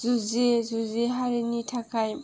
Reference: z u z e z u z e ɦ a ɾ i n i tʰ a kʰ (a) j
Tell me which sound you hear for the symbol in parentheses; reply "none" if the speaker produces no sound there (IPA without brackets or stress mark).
a